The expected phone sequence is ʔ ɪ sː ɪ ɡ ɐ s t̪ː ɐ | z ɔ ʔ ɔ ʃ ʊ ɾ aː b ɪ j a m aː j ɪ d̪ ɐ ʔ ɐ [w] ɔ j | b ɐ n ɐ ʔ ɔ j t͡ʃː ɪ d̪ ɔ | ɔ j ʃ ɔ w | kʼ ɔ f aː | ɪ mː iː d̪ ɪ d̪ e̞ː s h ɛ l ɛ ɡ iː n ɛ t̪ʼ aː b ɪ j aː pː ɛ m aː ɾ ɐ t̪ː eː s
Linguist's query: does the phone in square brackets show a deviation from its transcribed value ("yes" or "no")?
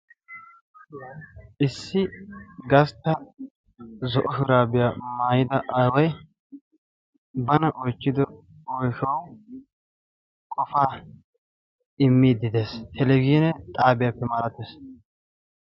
no